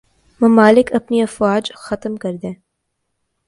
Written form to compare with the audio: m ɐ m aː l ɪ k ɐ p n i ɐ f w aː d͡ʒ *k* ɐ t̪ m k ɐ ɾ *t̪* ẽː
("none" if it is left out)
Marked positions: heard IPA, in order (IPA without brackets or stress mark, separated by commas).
x, d̪